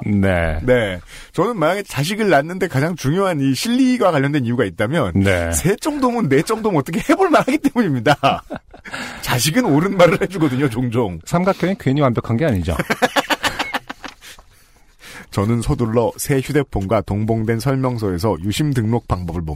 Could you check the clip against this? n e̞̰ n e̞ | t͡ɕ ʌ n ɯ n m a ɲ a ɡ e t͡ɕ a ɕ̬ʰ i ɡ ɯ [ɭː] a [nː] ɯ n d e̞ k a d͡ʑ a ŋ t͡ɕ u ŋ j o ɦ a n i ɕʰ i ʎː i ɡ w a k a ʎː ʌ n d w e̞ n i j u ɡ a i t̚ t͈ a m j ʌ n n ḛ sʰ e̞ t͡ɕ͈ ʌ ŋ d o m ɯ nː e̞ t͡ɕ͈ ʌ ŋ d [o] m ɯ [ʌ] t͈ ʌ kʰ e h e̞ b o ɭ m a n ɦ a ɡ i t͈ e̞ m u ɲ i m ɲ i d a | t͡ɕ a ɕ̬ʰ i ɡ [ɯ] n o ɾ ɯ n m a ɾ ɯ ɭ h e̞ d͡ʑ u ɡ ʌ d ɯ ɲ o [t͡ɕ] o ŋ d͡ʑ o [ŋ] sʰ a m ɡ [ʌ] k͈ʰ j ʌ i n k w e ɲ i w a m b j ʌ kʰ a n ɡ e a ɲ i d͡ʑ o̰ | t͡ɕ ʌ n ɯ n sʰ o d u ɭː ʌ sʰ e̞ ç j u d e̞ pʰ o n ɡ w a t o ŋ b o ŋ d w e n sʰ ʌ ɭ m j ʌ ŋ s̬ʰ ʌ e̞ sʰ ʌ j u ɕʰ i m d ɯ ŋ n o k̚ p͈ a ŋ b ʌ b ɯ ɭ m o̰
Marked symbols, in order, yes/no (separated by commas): yes, yes, yes, yes, yes, yes, yes, no